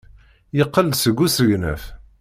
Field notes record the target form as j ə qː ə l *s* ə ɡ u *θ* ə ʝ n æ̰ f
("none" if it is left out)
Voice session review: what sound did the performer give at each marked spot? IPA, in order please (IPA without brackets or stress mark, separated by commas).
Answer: s, s